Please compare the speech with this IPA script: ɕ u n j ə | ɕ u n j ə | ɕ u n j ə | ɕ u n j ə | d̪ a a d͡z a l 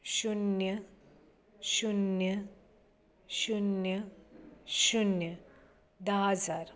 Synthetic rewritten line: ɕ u n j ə | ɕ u n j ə | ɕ u n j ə | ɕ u n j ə | d̪ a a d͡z a ɾ